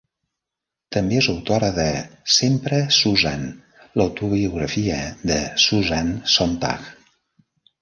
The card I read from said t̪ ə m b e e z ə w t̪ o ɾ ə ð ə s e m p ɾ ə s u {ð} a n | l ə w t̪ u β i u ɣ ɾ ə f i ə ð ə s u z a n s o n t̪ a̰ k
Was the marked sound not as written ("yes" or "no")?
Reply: yes